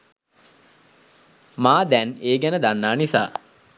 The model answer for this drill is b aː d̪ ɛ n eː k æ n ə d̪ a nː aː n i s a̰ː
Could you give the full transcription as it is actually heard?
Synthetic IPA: m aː d̪ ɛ n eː ɡ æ n ə d̪ a nː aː n i s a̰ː